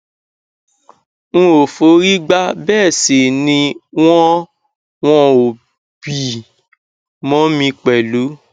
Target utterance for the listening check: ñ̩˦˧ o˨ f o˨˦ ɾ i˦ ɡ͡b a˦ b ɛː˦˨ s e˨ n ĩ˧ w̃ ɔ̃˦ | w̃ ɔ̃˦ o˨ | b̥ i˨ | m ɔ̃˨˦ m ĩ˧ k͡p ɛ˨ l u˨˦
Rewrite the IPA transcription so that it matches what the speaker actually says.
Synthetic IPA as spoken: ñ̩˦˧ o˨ f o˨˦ ɾ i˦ ɡ͡b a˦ b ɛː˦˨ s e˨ n ĩ˧ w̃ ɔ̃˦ | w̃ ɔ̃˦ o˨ | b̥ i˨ | m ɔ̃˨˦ m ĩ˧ k͡p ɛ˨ l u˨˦